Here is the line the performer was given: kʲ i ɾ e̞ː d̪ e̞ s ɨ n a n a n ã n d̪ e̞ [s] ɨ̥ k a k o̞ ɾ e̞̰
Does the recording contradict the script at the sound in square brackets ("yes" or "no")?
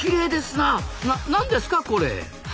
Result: no